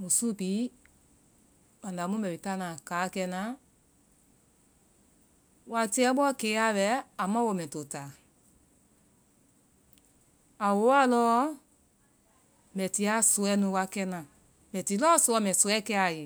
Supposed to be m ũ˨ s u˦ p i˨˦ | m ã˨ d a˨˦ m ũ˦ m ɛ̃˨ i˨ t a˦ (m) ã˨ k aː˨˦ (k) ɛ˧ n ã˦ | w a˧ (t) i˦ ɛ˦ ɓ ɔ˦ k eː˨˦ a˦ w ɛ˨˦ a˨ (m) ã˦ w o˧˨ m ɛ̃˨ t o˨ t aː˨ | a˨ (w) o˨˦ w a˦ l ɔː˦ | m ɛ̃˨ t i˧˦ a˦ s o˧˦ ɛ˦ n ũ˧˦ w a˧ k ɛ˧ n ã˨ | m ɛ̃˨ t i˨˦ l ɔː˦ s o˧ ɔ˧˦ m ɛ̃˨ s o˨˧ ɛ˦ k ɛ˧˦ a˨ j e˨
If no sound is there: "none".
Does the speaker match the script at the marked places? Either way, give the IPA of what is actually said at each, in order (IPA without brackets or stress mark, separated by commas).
n, k, t, m, w